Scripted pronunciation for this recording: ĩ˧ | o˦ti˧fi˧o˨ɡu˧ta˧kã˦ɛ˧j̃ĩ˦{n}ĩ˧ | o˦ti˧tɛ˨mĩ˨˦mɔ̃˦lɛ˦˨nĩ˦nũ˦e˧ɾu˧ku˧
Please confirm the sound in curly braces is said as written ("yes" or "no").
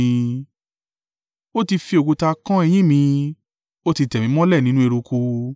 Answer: no